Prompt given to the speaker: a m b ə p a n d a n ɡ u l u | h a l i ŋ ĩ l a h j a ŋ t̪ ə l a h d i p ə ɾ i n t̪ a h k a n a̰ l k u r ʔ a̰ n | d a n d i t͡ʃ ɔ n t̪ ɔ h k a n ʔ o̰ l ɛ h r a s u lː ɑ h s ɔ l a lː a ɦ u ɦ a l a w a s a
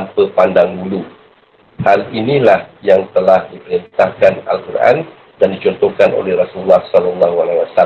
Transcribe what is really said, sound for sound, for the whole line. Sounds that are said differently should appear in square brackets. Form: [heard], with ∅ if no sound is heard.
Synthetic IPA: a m [p] ə p a n d a [ŋ] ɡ u l u | h a l i [n] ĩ l a h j a ŋ t̪ ə l a h d i p ə ɾ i n t̪ a h k a n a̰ l k u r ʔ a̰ n | d a n d i t͡ʃ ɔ n t̪ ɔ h k a n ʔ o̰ l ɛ h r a s u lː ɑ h s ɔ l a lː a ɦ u [∅] a l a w a s a